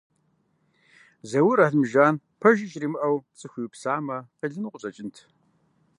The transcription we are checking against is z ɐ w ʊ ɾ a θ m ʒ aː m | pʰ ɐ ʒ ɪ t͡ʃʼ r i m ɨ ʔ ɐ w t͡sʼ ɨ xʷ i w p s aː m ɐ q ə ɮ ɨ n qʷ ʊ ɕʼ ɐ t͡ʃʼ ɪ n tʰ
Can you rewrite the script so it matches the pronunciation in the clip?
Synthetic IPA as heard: z ɐ w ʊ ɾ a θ m ʒ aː n | pʰ ɐ ʒ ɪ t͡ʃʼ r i m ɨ ʔ ɐ w t͡sʼ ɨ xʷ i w p s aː m ɐ q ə ɮ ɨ n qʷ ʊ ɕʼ ɐ t͡ʃʼ ɪ n tʰ